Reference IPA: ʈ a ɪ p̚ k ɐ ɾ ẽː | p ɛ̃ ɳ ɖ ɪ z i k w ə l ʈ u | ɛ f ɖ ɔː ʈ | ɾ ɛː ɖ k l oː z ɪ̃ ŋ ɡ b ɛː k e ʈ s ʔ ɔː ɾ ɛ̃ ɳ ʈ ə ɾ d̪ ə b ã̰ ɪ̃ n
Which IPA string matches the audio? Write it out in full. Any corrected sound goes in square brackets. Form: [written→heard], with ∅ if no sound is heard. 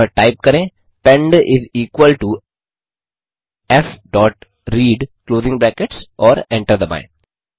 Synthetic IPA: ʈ a ɪ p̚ k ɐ ɾ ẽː | p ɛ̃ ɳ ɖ ɪ z [i→iː] k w ə l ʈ u | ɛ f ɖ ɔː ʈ | ɾ [ɛː→iː] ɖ k l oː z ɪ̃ ŋ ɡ b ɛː k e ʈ s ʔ ɔː ɾ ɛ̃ ɳ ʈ ə ɾ d̪ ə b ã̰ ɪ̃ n

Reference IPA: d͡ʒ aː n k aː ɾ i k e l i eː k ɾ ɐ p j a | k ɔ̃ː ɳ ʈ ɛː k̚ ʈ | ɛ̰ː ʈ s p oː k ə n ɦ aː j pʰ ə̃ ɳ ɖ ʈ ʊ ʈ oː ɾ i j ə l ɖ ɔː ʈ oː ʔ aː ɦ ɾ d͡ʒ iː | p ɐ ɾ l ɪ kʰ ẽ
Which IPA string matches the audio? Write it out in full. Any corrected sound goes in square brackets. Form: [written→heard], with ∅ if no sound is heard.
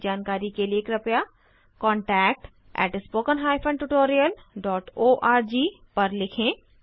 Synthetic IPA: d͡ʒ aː n k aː ɾ i k e l i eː k ɾ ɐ p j a | k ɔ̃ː ɳ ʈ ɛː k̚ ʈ | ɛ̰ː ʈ s p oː k ə n ɦ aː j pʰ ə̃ ɳ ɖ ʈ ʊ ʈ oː ɾ i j ə l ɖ ɔː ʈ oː ʔ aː [ɦ→∅] ɾ d͡ʒ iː | p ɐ ɾ l ɪ kʰ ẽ

